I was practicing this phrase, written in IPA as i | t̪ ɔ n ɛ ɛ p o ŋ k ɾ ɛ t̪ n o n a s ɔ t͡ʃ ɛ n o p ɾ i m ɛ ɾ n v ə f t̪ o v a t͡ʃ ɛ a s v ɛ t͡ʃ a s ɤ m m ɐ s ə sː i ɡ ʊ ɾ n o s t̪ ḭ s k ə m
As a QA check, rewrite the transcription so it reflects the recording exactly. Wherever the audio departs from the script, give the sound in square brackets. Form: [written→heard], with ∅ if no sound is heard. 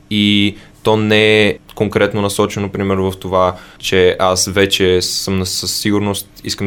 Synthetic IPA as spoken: i | t̪ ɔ n ɛ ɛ [p→k] o ŋ k ɾ ɛ t̪ n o n [a→ɐ] s ɔ t͡ʃ ɛ n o p ɾ i m ɛ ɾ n v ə f t̪ o v a t͡ʃ ɛ a s v ɛ t͡ʃ [a→ɛ] s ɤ m [m→n] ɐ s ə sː i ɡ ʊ ɾ n o s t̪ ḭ s k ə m